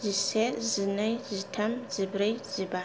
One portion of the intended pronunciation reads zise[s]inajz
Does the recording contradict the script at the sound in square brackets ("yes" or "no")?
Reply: yes